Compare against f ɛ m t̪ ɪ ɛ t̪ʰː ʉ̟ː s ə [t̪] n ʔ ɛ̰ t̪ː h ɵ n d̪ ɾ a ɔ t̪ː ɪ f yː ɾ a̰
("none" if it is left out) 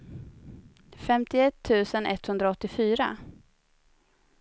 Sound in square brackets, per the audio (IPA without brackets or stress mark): none